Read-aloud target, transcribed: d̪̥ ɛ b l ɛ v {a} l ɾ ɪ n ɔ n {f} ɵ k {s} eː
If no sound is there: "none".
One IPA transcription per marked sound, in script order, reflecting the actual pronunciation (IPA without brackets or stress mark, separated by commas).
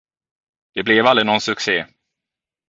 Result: a, s, s